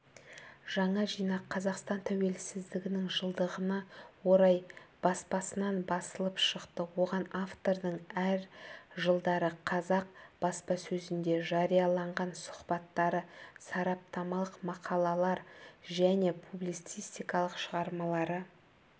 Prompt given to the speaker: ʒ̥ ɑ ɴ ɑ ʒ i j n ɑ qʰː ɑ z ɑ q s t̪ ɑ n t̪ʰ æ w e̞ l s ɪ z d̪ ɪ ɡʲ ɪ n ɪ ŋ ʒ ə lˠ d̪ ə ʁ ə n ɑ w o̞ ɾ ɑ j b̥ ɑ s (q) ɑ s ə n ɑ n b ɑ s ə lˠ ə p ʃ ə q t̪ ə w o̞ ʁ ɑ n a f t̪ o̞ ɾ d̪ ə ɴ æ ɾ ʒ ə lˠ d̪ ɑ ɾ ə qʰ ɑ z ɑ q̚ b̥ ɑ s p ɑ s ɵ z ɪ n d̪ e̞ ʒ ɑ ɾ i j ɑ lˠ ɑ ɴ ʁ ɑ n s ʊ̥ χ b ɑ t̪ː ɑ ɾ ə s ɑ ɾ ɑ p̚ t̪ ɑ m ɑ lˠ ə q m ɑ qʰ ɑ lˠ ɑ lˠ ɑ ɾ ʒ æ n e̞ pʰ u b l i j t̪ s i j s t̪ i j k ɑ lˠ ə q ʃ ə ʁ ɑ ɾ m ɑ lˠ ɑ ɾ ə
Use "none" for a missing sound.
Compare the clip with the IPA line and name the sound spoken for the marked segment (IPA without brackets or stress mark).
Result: p